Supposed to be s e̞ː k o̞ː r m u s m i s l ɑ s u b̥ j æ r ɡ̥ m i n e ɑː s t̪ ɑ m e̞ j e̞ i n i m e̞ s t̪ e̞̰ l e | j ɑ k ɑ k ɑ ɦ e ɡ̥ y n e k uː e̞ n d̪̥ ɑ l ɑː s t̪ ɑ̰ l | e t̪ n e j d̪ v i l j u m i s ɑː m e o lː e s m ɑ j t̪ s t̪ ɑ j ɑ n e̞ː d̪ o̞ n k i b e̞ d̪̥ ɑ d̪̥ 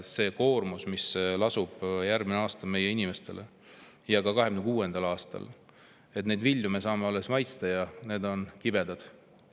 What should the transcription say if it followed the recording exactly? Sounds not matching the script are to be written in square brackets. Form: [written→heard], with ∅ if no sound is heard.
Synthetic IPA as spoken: s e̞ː k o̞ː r m u s m i s l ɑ s u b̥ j æ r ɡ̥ m i n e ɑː s t̪ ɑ m e̞ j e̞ i n i m e̞ s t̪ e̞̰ l e | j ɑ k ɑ k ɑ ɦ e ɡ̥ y n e k uː e̞ n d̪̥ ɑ l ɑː s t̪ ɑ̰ l | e t̪ n e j d̪ v i l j u m [i→e] s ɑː m e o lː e s m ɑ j t̪ s t̪ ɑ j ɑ n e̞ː d̪ o̞ n k i b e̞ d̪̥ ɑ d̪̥